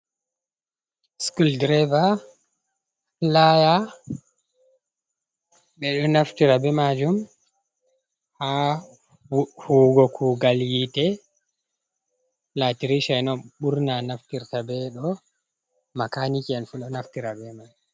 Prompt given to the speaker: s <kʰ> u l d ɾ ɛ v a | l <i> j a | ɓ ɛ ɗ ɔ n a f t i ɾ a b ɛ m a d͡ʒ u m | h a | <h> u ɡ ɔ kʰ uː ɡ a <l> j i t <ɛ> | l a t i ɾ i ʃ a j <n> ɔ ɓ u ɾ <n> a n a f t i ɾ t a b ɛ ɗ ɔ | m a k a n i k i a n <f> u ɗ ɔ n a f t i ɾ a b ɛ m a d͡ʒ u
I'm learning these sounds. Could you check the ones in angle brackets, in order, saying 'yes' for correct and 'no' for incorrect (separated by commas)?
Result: no, no, yes, yes, yes, yes, yes, yes